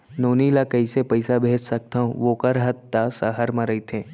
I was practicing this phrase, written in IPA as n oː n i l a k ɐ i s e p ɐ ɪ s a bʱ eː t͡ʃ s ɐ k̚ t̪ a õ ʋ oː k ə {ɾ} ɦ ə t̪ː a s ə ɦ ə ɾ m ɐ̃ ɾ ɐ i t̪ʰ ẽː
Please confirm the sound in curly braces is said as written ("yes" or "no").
yes